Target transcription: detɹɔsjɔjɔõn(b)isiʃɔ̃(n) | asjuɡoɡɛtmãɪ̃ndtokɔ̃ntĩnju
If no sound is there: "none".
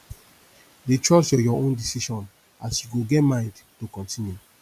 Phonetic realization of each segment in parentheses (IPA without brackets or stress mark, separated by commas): d, n